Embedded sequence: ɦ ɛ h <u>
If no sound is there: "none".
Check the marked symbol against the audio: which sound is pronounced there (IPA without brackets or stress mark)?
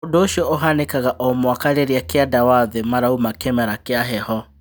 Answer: ɔ